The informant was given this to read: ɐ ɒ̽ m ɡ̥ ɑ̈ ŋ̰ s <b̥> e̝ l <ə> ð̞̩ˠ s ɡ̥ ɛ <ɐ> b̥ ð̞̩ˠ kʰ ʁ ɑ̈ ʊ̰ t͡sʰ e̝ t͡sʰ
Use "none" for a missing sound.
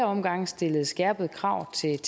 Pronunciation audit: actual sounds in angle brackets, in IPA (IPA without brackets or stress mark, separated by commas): d̥, ə, ɐ